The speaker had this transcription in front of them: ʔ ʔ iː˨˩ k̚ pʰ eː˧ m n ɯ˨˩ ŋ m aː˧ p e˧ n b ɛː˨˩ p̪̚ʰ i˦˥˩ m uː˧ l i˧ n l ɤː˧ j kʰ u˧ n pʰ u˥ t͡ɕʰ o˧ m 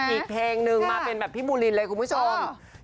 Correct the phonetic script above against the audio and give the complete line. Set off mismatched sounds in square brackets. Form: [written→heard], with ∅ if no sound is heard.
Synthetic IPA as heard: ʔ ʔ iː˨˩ k̚ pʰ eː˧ [m→ŋ] n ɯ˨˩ ŋ m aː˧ p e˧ n b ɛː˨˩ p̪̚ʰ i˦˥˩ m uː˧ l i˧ n l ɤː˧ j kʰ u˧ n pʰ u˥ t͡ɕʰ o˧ m